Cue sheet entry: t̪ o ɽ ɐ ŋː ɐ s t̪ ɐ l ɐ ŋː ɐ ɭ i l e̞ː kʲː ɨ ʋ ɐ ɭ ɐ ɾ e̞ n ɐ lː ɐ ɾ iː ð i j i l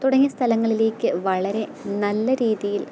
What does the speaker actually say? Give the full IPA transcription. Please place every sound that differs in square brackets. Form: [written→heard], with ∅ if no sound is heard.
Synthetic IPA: t̪ [o→u] ɽ ɐ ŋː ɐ s [t̪→t̪ʰ] ɐ l ɐ ŋː ɐ ɭ i l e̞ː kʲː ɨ ʋ ɐ ɭ ɐ ɾ e̞ n ɐ lː ɐ ɾ iː ð i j i l

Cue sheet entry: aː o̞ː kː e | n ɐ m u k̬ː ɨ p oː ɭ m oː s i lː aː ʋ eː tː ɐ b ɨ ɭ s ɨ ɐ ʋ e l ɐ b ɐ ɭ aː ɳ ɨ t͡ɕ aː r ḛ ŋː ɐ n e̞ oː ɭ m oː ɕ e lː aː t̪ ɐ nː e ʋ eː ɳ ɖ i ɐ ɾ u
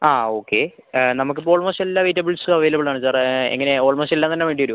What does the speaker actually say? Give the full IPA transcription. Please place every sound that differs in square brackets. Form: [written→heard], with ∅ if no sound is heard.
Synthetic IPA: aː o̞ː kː e | n ɐ m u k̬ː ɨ p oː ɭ m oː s [i→e] lː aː ʋ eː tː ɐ b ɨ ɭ s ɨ ɐ ʋ e l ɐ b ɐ ɭ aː ɳ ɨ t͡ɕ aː r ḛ ŋː ɐ n e̞ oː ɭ m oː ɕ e lː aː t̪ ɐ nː e ʋ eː ɳ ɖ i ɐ ɾ u

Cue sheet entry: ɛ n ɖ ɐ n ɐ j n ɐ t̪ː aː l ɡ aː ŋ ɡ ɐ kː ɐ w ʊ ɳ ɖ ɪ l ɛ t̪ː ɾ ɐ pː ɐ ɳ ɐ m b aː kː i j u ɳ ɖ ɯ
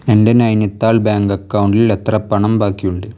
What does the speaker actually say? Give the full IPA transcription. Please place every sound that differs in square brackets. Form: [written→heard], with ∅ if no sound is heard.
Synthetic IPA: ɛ n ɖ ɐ n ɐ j n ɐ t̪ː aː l [ɡ→b] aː ŋ ɡ ɐ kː ɐ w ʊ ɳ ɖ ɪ l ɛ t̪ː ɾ ɐ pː ɐ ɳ ɐ m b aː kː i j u ɳ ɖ ɯ

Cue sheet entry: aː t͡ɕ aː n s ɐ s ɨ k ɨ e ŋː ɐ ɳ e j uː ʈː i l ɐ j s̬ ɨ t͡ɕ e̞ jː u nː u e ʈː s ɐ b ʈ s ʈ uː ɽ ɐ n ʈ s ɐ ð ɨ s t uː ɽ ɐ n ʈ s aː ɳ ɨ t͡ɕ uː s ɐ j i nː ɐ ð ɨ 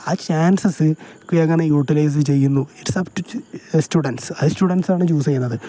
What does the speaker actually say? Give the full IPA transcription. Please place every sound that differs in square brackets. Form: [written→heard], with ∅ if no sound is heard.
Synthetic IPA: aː t͡ɕ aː n s ɐ s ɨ k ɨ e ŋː ɐ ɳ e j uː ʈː i l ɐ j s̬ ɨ t͡ɕ e̞ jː u nː u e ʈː s ɐ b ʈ s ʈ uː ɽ ɐ n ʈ s ɐ ð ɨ s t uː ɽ ɐ n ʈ s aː ɳ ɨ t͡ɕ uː s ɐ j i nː ɐ ð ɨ

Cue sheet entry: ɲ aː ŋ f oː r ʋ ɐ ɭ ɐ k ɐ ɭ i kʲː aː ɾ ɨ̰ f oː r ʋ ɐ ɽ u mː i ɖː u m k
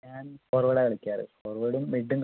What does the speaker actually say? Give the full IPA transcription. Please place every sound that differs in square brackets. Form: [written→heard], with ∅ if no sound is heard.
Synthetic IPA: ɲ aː [ŋ→n] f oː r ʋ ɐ [ɭ→ɽ] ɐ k ɐ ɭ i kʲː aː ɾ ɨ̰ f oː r ʋ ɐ ɽ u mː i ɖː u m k

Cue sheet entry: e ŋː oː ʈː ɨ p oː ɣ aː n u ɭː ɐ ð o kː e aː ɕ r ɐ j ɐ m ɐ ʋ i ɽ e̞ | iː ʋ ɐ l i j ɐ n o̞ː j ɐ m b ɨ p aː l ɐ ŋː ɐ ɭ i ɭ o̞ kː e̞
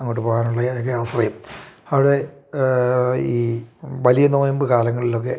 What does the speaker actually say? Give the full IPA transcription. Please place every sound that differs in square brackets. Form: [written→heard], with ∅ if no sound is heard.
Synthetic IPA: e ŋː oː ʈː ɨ p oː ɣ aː n u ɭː ɐ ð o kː e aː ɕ r ɐ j ɐ m ɐ ʋ i ɽ e̞ | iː ʋ ɐ l i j ɐ n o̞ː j ɐ m b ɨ [p→k] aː l ɐ ŋː ɐ ɭ i [ɭ→l] o̞ kː e̞

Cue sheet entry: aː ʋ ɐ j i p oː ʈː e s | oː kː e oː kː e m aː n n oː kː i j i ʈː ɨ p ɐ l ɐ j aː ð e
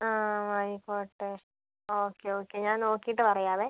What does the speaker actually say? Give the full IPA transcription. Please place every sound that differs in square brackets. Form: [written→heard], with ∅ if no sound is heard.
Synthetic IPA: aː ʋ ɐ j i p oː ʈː e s | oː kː e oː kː e [m→ɲ] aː n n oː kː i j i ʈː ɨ p ɐ [l→r] ɐ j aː ð e

